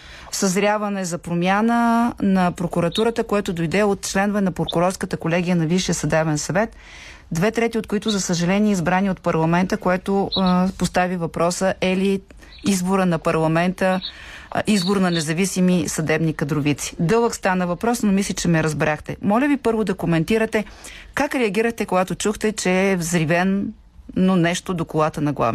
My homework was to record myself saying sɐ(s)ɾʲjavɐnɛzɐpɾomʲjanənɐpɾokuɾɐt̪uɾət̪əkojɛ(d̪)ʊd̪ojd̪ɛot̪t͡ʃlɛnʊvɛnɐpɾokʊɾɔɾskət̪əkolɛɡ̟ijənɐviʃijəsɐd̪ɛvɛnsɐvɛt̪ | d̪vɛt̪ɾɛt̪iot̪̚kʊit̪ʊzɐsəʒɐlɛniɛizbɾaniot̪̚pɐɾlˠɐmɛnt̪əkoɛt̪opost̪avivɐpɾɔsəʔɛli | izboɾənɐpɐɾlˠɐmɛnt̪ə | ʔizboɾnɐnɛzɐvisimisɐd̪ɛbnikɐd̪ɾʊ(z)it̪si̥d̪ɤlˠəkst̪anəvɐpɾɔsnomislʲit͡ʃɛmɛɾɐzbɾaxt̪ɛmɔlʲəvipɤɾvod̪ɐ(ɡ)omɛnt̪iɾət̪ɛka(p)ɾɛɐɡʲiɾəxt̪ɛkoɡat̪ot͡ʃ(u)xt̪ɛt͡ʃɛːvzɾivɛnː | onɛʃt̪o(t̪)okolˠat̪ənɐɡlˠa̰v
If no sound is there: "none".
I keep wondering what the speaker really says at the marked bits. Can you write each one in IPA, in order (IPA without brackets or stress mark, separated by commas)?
z, t̪, v, k, k, u, d̪